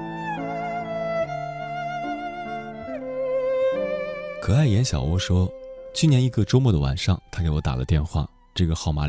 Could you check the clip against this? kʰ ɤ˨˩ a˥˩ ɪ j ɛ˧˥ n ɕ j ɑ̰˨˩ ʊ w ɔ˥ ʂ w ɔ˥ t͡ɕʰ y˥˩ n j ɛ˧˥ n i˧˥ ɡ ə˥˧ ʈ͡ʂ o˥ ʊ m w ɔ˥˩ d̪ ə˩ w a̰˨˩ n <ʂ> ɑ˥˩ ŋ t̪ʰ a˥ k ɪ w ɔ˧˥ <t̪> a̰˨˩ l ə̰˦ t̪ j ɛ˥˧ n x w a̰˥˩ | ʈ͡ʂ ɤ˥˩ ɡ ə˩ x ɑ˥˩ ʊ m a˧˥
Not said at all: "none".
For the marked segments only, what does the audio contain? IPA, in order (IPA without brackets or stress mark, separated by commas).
ʂ, t̪